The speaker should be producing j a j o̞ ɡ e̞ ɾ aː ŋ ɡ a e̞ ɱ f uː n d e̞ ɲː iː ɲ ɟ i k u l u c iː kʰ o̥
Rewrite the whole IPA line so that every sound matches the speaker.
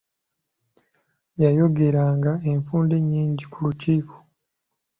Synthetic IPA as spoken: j a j o̞ ɡ e̞ ɾ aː ŋ ɡ a e̞ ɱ f uː n d e̞ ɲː iː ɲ ɟ i k u l u c iː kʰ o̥